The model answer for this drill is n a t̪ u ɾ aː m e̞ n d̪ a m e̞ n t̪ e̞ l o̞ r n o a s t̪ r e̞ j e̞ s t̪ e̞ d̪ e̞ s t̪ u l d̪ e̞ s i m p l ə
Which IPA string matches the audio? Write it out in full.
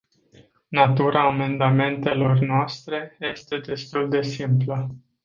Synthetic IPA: n a t̪ u ɾ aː m e̞ n d̪ a m e̞ n t̪ e̞ l o̞ r n o a s t̪ ɾ e̞ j e̞ s t̪ e̞ d̪ e̞ s t̪ u l d̪ e̞ s i m p l ə